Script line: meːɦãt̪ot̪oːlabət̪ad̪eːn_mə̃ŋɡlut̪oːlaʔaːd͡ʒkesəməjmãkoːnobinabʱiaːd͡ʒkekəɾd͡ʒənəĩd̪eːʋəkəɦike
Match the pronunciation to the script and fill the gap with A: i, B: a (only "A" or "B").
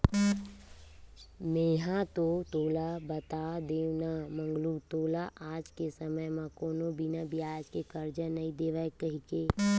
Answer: B